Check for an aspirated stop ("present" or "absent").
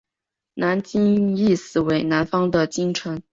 present